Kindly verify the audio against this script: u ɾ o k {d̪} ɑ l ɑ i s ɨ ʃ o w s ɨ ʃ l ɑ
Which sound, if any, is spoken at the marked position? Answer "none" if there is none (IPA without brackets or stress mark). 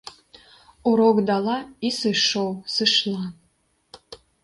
d̪